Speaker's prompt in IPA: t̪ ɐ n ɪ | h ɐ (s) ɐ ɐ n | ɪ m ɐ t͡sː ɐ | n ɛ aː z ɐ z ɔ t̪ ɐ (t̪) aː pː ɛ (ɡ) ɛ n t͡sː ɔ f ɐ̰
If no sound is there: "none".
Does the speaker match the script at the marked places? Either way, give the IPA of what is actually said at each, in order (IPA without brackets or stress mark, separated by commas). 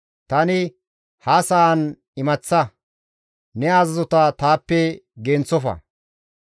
s, t̪, ɡ